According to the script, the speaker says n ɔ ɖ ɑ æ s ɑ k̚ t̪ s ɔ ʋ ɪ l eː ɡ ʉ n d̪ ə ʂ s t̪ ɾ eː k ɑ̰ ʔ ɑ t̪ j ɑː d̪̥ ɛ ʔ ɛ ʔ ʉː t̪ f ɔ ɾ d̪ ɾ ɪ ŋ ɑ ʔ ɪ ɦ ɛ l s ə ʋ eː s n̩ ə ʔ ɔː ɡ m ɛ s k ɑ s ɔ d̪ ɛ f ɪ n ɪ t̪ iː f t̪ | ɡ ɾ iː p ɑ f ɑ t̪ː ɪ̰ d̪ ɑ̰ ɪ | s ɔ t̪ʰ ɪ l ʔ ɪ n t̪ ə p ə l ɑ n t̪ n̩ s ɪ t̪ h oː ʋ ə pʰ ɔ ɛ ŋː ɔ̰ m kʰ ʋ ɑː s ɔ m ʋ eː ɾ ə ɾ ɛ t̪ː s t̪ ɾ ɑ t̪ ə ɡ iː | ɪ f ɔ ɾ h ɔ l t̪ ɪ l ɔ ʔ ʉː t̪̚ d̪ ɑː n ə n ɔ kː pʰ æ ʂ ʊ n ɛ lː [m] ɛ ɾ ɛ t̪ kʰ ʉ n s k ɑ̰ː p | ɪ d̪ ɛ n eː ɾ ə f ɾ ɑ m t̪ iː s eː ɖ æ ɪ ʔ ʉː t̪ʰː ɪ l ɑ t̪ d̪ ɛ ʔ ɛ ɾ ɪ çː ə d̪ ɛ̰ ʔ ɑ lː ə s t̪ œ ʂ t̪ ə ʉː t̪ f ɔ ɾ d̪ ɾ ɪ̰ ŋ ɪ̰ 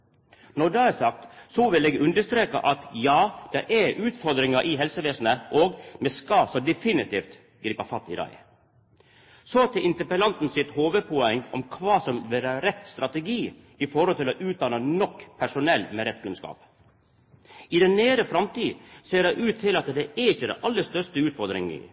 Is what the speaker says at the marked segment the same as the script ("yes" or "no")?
yes